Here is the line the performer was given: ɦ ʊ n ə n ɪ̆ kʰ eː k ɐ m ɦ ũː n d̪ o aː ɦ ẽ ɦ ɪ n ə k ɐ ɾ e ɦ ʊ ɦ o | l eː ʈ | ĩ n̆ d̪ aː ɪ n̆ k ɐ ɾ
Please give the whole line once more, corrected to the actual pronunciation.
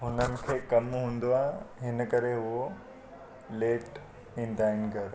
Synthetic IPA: ɦ ʊ n ə n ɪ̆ kʰ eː k ɐ m ɦ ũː n d̪ o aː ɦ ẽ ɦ ɪ n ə k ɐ ɾ e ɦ ʊ ɦ o | l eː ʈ | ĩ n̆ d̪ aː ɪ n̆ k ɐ ɾ